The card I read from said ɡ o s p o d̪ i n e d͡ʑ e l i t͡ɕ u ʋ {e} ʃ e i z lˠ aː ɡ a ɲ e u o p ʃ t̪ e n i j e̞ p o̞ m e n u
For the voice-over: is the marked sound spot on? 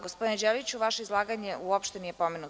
no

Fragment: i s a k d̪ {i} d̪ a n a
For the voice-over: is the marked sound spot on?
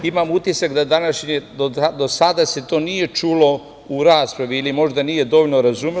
no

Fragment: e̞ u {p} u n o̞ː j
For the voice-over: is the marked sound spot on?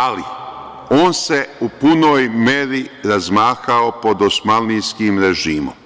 yes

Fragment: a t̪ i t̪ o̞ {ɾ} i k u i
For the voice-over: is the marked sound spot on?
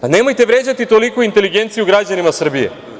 no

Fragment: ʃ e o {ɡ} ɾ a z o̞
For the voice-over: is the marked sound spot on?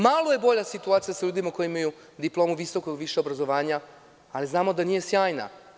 no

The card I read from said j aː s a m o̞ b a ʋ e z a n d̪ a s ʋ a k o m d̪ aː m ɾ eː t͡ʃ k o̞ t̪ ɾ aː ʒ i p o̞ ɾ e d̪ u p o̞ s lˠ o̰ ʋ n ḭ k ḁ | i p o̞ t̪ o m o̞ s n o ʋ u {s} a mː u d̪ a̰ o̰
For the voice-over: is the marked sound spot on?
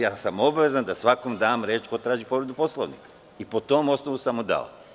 yes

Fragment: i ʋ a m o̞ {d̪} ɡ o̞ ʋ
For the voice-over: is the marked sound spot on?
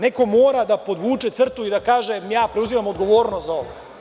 yes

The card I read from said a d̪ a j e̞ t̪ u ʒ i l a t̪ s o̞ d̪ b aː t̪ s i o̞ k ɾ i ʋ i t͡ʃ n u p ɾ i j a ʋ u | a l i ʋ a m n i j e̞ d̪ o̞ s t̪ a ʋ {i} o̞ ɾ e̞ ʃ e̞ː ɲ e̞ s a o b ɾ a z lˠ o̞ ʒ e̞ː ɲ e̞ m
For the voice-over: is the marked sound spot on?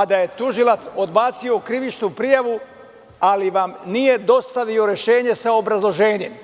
yes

